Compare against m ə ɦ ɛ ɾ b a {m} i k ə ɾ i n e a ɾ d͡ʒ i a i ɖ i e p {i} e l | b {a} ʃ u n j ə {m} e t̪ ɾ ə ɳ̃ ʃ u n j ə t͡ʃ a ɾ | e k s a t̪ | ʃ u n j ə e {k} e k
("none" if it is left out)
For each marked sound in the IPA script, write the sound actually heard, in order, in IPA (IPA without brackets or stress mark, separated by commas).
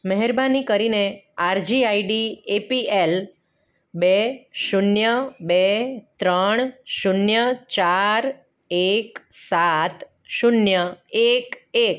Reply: n, i, e, b, k